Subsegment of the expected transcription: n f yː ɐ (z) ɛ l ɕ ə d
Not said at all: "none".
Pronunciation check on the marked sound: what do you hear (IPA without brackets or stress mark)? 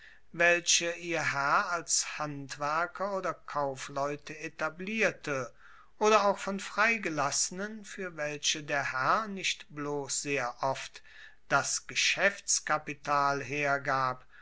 v